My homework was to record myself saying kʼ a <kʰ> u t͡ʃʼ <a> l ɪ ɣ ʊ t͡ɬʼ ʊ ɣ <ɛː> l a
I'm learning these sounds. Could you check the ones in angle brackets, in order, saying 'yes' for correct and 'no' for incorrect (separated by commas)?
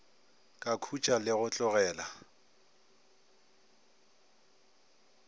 yes, yes, yes